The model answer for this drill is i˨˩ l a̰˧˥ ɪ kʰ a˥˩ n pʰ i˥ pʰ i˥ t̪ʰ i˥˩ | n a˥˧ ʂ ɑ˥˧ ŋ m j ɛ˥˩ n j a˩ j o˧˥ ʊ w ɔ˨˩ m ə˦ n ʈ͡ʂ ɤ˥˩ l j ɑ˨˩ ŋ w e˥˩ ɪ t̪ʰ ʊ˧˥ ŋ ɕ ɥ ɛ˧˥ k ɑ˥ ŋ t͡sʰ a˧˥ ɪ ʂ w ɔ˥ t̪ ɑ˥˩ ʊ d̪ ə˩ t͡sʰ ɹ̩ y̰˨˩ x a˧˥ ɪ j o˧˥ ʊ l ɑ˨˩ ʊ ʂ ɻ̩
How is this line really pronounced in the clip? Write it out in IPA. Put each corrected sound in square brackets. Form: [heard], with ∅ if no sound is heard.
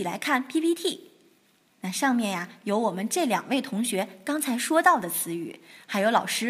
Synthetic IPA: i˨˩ l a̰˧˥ ɪ kʰ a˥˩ n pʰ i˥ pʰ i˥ t̪ʰ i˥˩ | n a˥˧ ʂ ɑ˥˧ ŋ m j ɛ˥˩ n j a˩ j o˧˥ ʊ w ɔ˨˩ m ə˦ n ʈ͡ʂ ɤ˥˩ l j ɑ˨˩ ŋ w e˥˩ ɪ t̪ʰ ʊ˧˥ ŋ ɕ ɥ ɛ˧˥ k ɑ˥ ŋ t͡sʰ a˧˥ ɪ ʂ w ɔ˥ t̪ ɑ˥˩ ʊ d̪ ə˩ t͡sʰ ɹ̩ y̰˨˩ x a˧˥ ɪ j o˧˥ ʊ l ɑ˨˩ ʊ ʂ ɻ̩